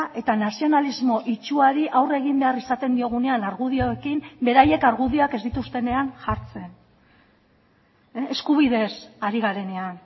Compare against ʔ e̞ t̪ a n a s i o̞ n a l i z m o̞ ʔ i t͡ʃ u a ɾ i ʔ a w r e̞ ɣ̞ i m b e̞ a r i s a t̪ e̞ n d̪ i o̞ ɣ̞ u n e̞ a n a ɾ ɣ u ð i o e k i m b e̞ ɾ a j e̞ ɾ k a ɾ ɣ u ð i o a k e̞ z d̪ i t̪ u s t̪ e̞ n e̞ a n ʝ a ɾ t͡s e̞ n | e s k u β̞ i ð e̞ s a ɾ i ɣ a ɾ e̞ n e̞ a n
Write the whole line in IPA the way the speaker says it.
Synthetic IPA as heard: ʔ e̞ t̪ a n a s i o̞ n a l i z m o̞ ʔ i t͡ʃ u a ɾ i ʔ a w r e̞ ɣ̞ i m b e̞ a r i s a t̪ e̞ n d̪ i o̞ ɣ̞ u n e̞ a n a ɾ ɣ u ð i o e k i m b e̞ ɾ a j e̞ k a ɾ ɣ u ð i o a k e̞ z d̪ i t̪ u s t̪ e̞ n e̞ a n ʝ a ɾ t͡s e̞ n | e s k u β̞ i ð e̞ s a ɾ i ɣ a ɾ e̞ n e̞ a n